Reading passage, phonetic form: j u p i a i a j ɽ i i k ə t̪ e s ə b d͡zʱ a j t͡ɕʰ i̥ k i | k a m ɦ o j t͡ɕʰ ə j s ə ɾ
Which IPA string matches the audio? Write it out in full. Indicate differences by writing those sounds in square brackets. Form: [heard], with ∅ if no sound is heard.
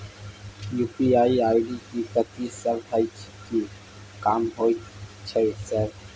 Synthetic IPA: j u p i a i a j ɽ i i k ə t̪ [i] s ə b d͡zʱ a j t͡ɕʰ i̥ k i | k a m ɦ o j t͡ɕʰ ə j s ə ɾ